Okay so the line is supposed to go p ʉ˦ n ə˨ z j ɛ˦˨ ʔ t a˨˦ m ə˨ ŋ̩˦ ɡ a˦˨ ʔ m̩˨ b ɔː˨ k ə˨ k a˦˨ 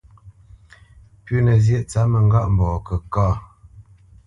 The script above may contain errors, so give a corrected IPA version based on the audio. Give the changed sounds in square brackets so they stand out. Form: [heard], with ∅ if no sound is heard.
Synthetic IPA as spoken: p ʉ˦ n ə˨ z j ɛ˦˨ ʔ [t͡s] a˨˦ m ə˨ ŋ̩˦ ɡ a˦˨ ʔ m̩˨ b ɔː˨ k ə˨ k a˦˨